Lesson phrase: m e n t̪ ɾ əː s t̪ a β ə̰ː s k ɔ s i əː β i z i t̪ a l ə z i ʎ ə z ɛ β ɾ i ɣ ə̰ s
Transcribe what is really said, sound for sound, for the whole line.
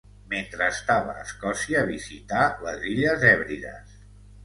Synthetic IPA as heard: m e n t̪ ɾ əː s t̪ a β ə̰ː s k ɔ s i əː β i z i t̪ a l ə z i ʎ ə z ɛ β ɾ i ð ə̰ s